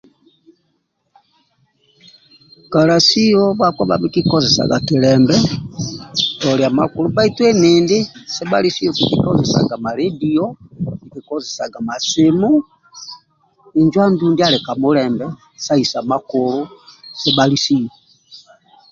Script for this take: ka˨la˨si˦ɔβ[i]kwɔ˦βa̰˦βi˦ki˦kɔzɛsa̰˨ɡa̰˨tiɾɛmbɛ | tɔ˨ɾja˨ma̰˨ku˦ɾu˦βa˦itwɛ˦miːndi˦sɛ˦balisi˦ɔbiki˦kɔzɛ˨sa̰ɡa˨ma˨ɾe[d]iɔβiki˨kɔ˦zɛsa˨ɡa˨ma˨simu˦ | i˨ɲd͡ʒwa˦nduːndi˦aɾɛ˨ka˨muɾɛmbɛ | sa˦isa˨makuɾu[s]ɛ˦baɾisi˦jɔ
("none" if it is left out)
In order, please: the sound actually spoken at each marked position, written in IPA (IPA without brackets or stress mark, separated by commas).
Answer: a, d, s